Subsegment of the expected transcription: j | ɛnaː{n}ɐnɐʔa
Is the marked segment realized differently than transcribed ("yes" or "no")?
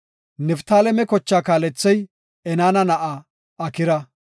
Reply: no